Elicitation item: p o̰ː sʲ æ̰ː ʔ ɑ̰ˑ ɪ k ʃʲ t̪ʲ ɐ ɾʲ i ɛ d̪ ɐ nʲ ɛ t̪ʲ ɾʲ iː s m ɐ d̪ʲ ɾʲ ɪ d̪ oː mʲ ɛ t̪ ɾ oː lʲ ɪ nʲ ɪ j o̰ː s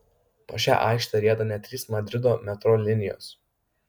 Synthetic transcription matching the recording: p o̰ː ʃʲ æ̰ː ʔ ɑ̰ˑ ɪ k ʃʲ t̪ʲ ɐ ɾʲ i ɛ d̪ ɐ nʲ ɛ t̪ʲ ɾʲ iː s m ɐ d̪ʲ ɾʲ ɪ d̪ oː mʲ ɛ t̪ ɾ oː lʲ ɪ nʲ ɪ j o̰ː s